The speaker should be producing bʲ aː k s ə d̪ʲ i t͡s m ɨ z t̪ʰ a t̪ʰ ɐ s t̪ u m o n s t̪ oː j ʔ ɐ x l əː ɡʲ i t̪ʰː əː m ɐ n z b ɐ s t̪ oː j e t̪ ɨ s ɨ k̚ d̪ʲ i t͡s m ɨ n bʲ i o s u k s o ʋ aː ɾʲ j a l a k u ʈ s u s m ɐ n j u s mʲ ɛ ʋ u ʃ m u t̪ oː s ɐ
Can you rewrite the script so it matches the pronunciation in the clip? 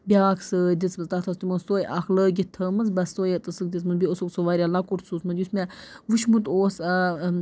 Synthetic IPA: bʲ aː k s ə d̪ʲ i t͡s m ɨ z t̪ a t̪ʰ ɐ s t̪ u m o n s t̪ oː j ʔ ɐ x l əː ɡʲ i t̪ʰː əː m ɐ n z b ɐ s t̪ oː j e t̪ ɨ s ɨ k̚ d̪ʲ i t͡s m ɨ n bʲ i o s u k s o ʋ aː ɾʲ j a l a k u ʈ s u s m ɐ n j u s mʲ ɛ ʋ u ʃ m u t̪ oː s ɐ